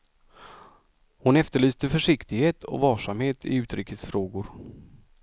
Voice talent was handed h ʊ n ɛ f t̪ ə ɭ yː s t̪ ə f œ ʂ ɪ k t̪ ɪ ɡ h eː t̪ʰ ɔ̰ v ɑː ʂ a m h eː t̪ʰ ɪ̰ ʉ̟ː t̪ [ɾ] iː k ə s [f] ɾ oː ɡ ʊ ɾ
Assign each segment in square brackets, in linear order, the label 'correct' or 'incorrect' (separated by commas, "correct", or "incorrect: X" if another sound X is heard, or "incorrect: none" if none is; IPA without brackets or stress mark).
correct, correct